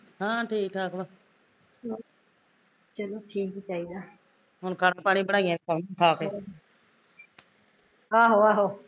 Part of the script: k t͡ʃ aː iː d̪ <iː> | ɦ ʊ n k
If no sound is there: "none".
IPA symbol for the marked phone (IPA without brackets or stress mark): aː